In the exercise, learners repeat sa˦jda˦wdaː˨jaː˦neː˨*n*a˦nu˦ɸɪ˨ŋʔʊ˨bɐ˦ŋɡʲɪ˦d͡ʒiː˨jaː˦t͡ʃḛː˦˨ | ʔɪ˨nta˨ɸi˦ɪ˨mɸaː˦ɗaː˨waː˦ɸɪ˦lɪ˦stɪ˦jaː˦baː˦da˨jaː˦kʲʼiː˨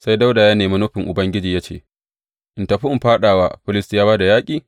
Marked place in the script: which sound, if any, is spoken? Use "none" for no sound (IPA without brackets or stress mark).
m